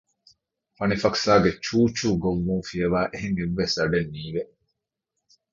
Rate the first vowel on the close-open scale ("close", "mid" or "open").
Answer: open